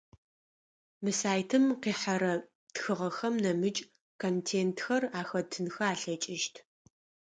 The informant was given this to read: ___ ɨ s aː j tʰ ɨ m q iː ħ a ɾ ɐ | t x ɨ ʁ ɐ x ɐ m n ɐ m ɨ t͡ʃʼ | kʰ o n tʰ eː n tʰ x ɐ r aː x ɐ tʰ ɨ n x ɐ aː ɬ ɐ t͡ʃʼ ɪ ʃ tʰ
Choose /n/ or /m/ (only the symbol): m